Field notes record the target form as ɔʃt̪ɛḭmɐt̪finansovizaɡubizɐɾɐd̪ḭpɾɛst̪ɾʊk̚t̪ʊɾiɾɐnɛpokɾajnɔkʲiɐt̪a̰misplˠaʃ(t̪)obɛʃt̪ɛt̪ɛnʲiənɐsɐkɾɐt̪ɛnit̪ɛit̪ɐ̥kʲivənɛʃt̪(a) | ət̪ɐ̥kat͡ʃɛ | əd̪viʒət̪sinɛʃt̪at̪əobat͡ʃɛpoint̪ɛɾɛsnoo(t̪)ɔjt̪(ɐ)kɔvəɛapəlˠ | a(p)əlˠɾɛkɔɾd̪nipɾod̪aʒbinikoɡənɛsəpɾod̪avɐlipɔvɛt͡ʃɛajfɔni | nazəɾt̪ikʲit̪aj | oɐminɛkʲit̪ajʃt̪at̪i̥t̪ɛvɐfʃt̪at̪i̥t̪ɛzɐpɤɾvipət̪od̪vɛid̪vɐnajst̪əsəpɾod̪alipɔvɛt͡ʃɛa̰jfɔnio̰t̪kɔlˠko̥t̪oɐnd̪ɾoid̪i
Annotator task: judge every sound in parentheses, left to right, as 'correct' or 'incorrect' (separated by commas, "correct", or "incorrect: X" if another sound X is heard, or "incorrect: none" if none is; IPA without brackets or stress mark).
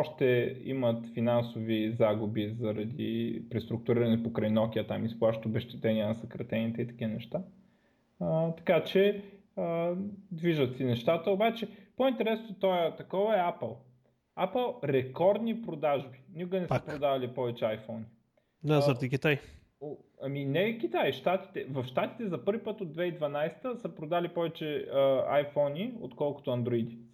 correct, correct, correct, correct, correct